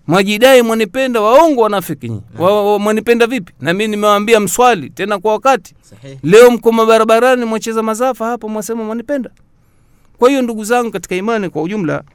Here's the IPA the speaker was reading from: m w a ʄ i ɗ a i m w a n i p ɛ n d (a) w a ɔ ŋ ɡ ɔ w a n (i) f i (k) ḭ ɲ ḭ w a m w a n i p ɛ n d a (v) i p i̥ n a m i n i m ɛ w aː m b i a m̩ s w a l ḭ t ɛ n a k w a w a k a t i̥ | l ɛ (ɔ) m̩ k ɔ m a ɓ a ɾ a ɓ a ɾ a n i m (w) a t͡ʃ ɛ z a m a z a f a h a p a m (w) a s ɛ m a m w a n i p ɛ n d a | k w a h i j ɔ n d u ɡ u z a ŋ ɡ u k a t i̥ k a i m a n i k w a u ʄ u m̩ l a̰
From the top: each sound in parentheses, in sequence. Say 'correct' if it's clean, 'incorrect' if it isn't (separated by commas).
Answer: correct, incorrect, correct, correct, correct, correct, correct